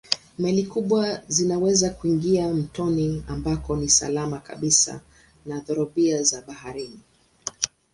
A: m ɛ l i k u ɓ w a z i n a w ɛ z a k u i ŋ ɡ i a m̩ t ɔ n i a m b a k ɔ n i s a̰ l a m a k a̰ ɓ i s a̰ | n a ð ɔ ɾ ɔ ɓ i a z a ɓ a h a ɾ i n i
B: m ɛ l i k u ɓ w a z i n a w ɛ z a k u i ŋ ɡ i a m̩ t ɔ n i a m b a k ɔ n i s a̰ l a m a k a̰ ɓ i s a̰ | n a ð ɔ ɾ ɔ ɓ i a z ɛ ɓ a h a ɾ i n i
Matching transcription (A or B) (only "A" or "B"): A